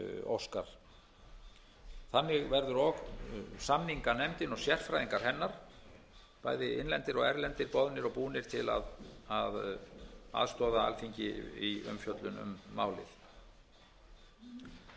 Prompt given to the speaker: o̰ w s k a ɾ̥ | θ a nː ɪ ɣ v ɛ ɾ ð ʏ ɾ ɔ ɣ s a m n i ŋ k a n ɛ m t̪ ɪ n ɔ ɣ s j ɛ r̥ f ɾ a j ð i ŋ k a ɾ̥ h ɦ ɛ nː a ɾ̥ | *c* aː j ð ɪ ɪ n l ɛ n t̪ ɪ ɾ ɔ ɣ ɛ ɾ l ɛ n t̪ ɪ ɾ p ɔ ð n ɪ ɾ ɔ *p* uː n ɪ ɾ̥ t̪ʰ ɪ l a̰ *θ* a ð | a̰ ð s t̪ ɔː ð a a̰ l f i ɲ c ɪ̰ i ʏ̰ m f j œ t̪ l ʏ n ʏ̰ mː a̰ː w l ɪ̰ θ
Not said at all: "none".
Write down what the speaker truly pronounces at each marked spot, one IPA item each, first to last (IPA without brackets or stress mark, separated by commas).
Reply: p, p, ð